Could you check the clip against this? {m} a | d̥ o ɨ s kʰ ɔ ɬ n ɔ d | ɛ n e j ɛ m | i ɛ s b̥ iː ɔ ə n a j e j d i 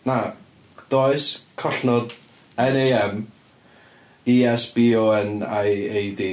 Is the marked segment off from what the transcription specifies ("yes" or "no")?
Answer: yes